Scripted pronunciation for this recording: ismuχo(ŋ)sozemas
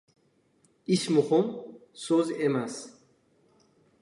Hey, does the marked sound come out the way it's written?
no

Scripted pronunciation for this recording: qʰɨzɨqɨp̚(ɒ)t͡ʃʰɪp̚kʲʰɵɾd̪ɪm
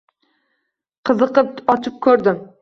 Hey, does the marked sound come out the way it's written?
yes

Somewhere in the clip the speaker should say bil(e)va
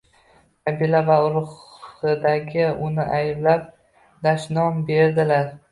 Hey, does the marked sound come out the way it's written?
no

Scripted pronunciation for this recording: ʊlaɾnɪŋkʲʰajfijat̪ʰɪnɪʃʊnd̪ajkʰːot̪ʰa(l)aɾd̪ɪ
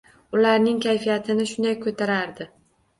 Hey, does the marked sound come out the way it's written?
no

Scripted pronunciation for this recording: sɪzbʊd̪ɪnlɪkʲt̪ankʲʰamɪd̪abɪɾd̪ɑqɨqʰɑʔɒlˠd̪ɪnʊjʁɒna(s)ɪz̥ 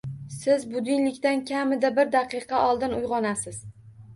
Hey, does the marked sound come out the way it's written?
yes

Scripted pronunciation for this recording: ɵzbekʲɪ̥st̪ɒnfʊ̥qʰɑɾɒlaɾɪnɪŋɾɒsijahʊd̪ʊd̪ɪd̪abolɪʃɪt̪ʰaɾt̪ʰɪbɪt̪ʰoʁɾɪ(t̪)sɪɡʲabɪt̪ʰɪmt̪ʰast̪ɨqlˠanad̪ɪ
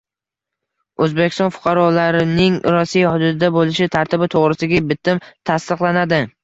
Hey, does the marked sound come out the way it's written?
no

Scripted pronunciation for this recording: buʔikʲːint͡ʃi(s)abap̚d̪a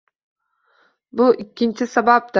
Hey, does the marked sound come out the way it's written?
yes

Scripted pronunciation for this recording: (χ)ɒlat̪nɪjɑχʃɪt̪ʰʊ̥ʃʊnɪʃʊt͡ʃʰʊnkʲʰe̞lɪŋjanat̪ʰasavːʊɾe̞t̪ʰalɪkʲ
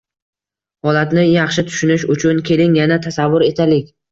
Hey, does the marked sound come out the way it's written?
no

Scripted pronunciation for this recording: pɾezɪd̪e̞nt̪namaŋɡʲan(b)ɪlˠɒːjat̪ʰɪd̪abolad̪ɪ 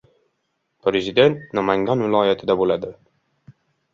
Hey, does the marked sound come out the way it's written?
no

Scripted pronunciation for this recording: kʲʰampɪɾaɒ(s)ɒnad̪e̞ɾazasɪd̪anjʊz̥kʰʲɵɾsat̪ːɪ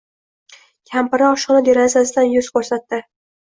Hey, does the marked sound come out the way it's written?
no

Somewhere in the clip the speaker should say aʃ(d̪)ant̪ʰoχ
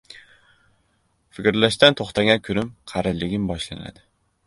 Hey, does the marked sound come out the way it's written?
no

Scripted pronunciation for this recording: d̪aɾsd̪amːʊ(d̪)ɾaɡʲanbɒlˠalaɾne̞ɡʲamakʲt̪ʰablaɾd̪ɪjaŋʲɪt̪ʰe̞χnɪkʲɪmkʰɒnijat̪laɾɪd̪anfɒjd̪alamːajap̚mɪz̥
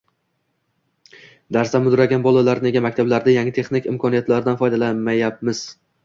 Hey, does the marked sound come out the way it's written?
yes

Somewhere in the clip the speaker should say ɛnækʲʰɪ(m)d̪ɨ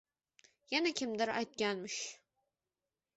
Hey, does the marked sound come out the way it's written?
yes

